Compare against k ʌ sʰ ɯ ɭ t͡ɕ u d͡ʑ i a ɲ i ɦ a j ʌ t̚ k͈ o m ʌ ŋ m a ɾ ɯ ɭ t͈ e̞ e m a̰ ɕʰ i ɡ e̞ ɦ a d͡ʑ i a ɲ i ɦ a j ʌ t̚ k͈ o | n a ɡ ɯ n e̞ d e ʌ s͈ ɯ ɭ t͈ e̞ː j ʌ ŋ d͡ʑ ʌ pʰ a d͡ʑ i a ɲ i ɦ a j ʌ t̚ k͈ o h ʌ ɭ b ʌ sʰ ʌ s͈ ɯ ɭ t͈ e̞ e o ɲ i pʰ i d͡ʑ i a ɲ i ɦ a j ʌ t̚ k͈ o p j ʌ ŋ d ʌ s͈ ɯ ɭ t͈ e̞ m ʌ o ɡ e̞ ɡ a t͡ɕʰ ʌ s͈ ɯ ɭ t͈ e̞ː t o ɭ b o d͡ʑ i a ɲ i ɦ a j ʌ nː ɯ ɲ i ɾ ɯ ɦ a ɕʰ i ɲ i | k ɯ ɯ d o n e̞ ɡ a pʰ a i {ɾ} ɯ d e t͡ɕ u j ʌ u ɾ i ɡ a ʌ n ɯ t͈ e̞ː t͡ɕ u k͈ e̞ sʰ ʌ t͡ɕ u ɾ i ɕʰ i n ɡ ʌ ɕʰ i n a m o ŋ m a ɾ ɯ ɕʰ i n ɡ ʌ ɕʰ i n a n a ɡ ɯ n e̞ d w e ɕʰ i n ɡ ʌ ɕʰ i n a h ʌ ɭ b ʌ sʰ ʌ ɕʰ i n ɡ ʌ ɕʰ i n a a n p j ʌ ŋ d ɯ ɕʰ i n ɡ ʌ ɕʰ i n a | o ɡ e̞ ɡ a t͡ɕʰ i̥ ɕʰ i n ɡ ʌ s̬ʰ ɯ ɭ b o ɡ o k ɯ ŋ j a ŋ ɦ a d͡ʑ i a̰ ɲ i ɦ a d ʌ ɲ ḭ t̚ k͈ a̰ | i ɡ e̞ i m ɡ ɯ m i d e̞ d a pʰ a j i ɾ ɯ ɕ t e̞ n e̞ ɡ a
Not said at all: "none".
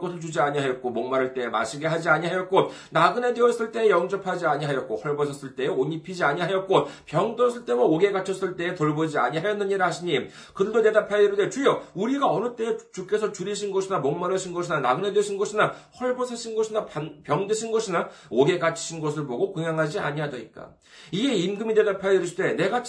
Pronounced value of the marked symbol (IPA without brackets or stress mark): ɾ